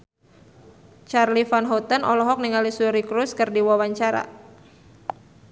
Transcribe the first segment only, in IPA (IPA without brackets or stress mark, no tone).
t͡ʃ